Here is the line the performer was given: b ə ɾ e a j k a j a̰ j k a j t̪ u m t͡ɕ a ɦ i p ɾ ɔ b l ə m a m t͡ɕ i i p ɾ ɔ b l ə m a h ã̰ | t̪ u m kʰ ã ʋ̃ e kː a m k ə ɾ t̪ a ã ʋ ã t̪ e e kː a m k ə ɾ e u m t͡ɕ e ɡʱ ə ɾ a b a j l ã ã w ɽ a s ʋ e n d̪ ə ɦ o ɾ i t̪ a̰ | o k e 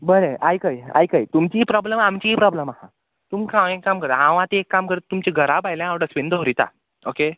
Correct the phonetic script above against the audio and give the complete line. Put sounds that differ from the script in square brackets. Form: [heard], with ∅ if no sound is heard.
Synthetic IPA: b ə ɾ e a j k a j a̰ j k a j t̪ u m t͡ɕ [i] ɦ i p ɾ ɔ b l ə m a m t͡ɕ i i p ɾ ɔ b l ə m a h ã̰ | t̪ u m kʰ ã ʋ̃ e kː a m k ə ɾ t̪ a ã ʋ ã t̪ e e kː a m k ə ɾ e u m t͡ɕ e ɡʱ ə ɾ a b a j l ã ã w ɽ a s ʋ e n d̪ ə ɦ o ɾ i t̪ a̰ | o k e

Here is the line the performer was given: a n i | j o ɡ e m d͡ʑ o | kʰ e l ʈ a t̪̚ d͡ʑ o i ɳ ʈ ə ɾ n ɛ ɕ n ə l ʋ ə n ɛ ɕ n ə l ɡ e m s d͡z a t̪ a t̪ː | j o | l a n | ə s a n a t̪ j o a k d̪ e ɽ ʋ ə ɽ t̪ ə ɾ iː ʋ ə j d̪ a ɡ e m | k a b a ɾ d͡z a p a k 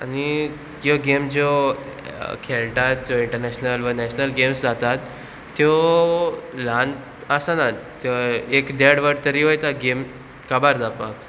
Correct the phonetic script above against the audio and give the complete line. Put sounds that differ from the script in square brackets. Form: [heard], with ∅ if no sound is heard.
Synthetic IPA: a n i | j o ɡ e m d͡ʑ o | kʰ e l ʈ a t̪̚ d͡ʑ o i ɳ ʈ ə ɾ n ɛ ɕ n ə l ʋ ə n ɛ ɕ n ə l ɡ e m s d͡z a t̪ a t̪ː | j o | l a n | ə s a n a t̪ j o [e] k d̪ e ɽ ʋ ə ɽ t̪ ə ɾ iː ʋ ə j [t̪] a ɡ e m | k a b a ɾ d͡z a p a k

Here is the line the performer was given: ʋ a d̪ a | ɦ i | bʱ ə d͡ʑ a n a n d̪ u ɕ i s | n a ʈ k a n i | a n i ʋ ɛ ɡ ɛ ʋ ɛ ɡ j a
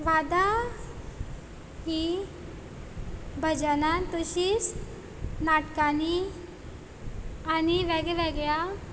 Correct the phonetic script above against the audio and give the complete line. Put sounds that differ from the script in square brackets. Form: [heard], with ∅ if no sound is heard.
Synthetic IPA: ʋ a d̪ a | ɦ i | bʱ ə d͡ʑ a n a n [t̪] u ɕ i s | n a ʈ k a n i | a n i ʋ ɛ ɡ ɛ ʋ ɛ ɡ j a

